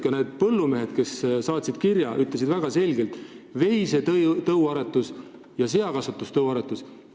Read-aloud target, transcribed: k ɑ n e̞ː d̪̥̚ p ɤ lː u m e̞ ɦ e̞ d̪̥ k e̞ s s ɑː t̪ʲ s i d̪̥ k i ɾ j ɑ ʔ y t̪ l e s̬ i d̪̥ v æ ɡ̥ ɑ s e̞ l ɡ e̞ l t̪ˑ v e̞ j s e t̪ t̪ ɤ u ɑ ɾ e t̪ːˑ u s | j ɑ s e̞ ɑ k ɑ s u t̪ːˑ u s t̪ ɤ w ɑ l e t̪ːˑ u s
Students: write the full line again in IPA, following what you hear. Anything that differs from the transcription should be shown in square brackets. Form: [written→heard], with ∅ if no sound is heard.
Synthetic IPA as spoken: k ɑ n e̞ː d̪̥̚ p ɤ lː u m e̞ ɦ e̞ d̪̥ k e̞ s s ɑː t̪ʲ s i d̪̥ k i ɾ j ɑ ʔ y t̪ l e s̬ i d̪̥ v æ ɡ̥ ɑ s e̞ l ɡ e̞ l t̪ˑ v e̞ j s e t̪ t̪ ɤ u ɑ ɾ e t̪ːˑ u s | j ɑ s e̞ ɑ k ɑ s u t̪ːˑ u s t̪ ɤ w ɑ [l→ɾ] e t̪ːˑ u s